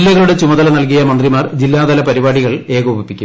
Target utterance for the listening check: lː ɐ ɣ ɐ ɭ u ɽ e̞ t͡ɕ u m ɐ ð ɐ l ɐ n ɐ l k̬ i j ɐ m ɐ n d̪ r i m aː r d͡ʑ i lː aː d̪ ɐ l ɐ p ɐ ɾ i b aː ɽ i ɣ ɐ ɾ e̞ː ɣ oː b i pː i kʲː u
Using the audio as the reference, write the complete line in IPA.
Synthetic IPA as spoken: lː ɐ ɣ ɐ ɭ u ɽ e̞ t͡ɕ u m ɐ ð ɐ l ɐ n ɐ l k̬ i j ɐ m ɐ n d̪ r i m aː r d͡ʑ i lː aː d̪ ɐ l ɐ p ɐ ɾ i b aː ɽ i ɣ ɐ ɭ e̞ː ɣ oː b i pː i kʲː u